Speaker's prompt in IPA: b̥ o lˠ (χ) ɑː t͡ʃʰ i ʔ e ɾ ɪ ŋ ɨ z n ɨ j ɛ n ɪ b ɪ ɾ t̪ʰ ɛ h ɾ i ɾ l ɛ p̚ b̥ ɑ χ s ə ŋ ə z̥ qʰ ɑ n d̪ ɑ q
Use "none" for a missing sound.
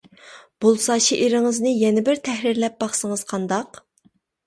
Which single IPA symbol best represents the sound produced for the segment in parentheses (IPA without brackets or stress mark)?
s